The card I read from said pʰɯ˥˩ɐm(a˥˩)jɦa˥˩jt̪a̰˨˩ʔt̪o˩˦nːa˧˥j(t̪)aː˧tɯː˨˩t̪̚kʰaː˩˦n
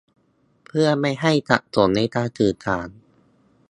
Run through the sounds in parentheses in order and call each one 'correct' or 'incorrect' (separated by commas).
correct, correct